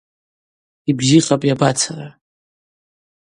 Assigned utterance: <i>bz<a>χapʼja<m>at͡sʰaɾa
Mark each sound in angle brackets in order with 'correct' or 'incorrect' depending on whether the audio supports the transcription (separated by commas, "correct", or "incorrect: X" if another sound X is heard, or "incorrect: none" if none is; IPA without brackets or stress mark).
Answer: correct, incorrect: i, incorrect: b